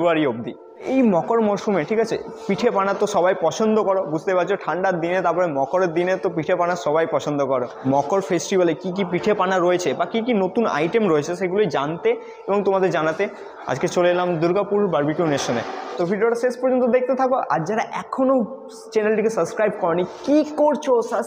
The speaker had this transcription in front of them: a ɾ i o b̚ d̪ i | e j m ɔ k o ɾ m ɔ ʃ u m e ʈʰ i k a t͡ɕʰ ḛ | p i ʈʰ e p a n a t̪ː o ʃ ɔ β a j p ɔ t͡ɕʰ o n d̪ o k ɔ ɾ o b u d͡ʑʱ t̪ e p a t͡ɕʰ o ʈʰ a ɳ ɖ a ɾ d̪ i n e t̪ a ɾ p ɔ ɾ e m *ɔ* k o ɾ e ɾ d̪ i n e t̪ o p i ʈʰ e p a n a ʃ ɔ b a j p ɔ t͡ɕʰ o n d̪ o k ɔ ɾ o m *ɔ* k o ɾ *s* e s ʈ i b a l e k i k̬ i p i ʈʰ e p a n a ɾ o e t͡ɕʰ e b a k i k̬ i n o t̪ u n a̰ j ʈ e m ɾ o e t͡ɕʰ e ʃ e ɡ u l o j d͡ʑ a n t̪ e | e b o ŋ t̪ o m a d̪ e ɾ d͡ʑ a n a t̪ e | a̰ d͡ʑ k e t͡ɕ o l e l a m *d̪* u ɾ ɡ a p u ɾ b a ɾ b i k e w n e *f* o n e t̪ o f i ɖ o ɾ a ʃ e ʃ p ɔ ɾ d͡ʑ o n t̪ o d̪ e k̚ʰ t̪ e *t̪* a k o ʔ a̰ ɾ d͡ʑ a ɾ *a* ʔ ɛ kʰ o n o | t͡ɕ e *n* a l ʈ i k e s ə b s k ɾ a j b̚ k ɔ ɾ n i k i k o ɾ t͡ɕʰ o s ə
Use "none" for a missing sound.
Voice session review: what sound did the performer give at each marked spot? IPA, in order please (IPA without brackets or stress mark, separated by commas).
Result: ɔ, ɔ, f, d̪, ʃ, t̪ʰ, a, n